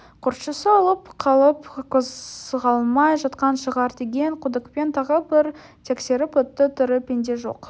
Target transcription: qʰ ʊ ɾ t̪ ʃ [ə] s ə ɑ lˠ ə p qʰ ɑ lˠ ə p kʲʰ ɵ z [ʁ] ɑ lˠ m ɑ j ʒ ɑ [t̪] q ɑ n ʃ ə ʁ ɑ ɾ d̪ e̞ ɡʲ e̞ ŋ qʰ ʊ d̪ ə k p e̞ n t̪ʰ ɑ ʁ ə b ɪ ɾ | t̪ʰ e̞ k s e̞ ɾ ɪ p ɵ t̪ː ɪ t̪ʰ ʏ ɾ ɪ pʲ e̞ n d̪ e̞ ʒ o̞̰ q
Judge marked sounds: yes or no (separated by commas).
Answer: yes, yes, yes